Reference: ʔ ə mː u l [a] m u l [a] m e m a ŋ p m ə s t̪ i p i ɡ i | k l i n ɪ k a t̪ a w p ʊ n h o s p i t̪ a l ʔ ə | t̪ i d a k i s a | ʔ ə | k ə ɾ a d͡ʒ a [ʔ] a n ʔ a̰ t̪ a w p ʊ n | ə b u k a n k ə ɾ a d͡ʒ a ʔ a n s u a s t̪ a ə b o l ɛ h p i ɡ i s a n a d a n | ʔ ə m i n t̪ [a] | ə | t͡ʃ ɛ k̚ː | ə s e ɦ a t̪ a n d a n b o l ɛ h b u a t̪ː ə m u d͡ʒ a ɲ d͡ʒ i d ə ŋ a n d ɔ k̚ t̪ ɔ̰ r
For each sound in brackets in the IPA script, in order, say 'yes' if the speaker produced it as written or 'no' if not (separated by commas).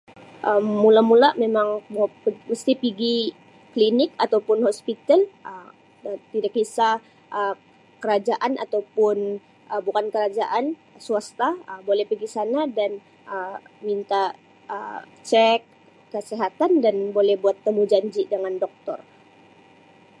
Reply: yes, yes, yes, yes